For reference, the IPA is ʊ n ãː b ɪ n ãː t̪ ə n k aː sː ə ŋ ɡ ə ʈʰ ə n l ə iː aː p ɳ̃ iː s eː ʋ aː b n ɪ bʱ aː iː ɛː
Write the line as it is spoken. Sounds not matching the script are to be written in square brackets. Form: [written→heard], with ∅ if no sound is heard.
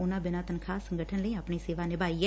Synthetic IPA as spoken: ʊ n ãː b ɪ n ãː t̪ ə n [k→kʰ] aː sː ə ŋ ɡ ə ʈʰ ə n l ə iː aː p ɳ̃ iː s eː ʋ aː [b→∅] n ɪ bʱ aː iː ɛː